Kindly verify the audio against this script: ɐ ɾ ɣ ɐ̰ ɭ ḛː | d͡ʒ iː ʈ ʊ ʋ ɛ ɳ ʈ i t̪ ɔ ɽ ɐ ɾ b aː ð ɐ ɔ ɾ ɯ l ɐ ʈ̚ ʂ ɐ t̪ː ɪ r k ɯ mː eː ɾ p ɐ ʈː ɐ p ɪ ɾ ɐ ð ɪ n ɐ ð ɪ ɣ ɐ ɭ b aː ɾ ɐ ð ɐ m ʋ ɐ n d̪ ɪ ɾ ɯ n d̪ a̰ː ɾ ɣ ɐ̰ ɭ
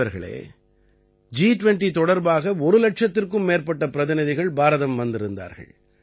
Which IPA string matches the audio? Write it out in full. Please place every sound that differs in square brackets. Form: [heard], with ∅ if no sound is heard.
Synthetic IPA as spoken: ɐ ɾ ɣ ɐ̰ ɭ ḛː | d͡ʒ iː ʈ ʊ ʋ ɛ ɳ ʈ i t̪ ɔ ɽ ɐ ɾ b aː [ɣ] ɐ ɔ ɾ ɯ l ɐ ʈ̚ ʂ ɐ t̪ː ɪ r k ɯ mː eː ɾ p ɐ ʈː ɐ p ɪ ɾ ɐ ð ɪ n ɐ ð ɪ ɣ ɐ ɭ b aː ɾ ɐ ð ɐ m ʋ ɐ n d̪ ɪ ɾ ɯ n d̪ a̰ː ɾ ɣ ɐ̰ ɭ